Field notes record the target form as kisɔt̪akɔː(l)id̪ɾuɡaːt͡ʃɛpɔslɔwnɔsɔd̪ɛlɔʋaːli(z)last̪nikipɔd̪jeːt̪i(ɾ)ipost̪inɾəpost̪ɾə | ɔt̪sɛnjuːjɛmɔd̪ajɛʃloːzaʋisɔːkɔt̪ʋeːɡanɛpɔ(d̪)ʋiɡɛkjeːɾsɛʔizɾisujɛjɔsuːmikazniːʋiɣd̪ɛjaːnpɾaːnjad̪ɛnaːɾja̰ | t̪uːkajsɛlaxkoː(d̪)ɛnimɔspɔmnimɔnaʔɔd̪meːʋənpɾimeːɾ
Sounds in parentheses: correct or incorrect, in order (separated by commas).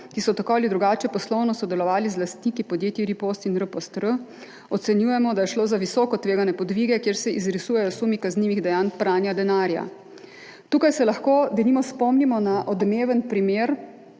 correct, correct, correct, correct, correct